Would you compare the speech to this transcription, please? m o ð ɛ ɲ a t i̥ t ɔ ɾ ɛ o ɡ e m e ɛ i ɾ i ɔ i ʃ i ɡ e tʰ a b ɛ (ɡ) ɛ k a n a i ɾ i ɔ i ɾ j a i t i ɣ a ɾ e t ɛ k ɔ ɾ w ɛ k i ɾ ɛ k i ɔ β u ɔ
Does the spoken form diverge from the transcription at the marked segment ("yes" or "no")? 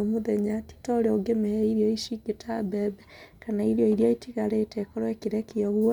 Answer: yes